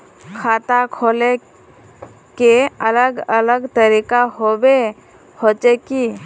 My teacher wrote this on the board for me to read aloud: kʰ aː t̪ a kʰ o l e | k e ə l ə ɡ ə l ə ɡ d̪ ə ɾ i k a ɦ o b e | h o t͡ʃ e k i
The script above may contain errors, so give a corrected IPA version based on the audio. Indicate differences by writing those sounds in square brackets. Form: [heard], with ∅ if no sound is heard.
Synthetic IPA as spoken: kʰ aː t̪ a kʰ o l e | k e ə l ə ɡ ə l ə ɡ [t̪] ə ɾ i k a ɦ o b e | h o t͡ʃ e k i